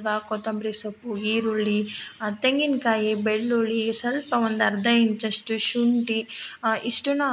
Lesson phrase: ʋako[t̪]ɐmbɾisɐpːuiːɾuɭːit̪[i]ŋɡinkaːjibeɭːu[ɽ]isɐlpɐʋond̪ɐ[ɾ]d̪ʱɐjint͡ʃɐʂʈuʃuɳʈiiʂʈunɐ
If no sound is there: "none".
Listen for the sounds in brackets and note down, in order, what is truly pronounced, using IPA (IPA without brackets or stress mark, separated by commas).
t̪, e, ɭ, ɾ